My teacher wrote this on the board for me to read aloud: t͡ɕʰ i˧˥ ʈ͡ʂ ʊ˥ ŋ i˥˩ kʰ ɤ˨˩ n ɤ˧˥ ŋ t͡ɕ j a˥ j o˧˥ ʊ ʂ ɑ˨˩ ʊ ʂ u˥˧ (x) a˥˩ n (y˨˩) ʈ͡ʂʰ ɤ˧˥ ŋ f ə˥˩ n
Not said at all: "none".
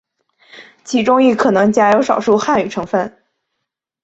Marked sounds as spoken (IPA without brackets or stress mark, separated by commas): x, y˨˩